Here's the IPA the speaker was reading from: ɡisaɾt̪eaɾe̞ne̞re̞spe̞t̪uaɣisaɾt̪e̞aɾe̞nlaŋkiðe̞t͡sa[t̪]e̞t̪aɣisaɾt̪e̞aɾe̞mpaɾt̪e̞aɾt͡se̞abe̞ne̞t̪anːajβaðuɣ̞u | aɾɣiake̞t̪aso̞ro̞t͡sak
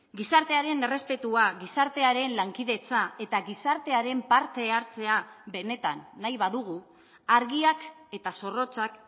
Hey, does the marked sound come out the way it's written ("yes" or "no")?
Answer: no